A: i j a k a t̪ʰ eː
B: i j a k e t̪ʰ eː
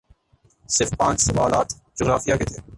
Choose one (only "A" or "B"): B